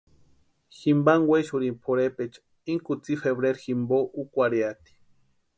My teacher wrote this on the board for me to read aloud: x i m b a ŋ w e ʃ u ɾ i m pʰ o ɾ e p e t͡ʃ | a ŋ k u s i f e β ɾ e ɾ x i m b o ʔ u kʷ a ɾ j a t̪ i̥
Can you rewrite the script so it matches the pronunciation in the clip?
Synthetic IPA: x i m b a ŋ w e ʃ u ɾ i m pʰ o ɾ e p e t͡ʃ | i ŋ k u t͡s i f e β ɾ e ɾ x i m b o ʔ u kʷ a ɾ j a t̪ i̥